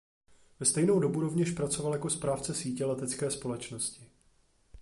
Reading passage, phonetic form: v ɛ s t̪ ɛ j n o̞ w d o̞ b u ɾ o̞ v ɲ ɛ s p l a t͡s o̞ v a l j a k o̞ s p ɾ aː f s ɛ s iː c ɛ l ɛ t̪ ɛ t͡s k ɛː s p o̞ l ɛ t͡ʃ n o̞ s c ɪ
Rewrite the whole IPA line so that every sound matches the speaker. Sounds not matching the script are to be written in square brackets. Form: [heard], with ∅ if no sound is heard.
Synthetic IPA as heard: v ɛ s t̪ ɛ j n o̞ w d o̞ b u ɾ o̞ v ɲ ɛ [ʃ] p [ɾ] a t͡s o̞ v a l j a k o̞ s p ɾ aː f [t͡s] ɛ s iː c ɛ l ɛ t̪ ɛ t͡s k ɛː s p o̞ l ɛ t͡ʃ n o̞ s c ɪ